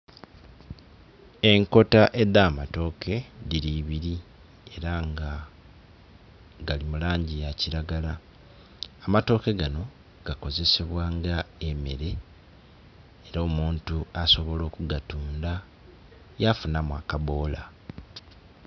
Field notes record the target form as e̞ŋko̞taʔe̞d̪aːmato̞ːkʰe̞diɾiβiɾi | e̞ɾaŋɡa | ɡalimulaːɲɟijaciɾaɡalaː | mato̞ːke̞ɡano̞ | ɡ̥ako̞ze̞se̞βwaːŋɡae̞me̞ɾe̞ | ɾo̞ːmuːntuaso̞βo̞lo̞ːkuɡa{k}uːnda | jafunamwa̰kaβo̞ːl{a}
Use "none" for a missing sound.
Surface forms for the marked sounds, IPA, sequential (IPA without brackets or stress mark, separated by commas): t, a